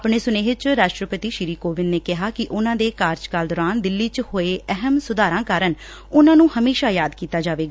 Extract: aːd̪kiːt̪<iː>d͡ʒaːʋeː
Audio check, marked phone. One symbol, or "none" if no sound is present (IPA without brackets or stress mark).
aː